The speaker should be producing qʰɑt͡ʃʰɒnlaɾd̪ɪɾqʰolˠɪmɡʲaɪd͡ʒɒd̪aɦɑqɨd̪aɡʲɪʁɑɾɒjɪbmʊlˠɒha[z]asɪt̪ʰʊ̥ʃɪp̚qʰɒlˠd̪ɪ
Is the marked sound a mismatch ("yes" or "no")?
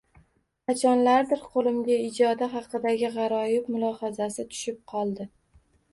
no